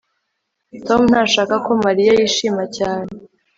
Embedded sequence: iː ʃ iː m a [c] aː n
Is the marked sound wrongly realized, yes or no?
no